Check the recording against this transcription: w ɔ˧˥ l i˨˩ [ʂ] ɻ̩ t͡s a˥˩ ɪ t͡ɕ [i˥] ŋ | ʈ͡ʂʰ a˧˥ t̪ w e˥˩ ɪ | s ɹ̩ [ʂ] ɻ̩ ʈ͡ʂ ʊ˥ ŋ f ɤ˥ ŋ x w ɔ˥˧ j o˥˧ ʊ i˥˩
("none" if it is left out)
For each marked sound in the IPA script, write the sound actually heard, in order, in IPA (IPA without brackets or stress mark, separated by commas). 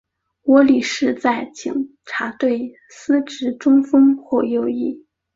ʂ, i˨˩, ʈ͡ʂ